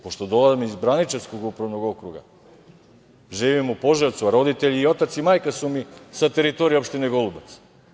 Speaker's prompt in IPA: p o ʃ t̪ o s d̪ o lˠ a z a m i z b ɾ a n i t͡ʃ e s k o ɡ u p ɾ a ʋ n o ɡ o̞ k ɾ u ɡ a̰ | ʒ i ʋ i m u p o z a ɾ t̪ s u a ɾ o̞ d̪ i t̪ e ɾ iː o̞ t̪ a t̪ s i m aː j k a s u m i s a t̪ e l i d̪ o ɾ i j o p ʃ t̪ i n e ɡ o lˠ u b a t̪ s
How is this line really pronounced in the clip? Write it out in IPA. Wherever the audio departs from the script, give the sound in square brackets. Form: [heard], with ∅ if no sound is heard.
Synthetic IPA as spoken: p o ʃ t̪ o [∅] d̪ o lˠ a z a m i z b ɾ a n i t͡ʃ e s k o ɡ u p ɾ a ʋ n o ɡ o̞ k ɾ u ɡ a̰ | ʒ i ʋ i m u p o [ʒ] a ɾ t̪ s u a ɾ o̞ d̪ i t̪ e [ʎ] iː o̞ t̪ a t̪ s i m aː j k a s u m i s a t̪ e [ɾ] i [t̪] o ɾ i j o p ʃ t̪ i n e ɡ o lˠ u b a t̪ s